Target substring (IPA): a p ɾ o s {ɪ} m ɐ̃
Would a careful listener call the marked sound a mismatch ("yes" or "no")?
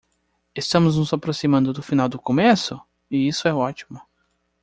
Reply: yes